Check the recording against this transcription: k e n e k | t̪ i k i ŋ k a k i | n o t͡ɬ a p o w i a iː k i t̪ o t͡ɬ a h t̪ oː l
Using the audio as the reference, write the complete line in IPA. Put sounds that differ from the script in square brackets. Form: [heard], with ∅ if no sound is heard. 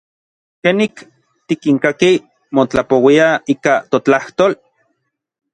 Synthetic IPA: k e n [i] k | t̪ i k i ŋ k a k i | [m] o t͡ɬ a p o w i a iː k [a] t̪ o t͡ɬ a h t̪ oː l

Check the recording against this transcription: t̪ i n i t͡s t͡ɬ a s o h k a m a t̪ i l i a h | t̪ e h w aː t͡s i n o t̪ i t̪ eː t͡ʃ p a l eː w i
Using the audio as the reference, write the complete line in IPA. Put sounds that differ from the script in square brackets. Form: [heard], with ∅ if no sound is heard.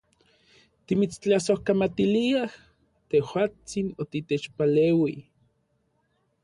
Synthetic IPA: t̪ i [m] i t͡s t͡ɬ a s o h k a m a t̪ i l i a h | t̪ e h w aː t͡s i n o t̪ i t̪ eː t͡ʃ p a l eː w i

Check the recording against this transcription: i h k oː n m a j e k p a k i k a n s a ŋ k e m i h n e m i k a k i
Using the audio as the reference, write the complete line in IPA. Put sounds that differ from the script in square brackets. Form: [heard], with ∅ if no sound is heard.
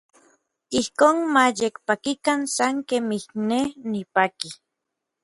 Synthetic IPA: i h k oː n m a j e k p a k i k a n s a ŋ k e m i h n e [n] i [p] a k i

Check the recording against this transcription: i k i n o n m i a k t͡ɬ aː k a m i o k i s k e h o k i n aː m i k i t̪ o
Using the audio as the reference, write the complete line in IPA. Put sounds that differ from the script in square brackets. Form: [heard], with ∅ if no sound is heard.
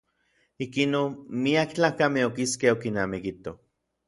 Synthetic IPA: i k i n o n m i a k t͡ɬ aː k a m [e] o k i s k e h o k i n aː m i k i t̪ o

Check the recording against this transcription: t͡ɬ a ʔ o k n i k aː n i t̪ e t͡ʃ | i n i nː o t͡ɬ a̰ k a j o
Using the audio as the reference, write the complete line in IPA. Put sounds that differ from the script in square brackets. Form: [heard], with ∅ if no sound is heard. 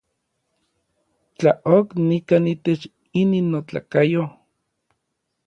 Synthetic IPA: t͡ɬ a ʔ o k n i k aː n i t̪ e t͡ʃ | i n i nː o t͡ɬ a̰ k a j o

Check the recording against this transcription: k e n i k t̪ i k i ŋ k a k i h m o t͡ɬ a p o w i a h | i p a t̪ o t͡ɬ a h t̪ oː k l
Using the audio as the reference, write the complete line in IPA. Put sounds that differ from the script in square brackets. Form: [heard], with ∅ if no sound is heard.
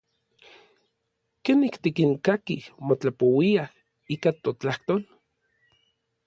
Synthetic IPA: k e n i k t̪ i k i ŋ k a k i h m o t͡ɬ a p o w i a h | i [k] a t̪ o t͡ɬ a h t̪ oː [∅] l

